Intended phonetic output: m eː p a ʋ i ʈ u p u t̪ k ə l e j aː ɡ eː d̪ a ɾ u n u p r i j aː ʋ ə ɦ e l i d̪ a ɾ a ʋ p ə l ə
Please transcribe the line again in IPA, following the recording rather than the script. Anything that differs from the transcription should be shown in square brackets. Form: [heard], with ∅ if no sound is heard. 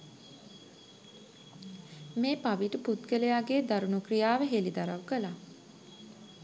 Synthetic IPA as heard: m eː p a ʋ i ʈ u p u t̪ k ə l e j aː ɡ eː d̪ a ɾ u n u [k] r i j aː ʋ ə ɦ e l i d̪ a ɾ a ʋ [k] ə l [a]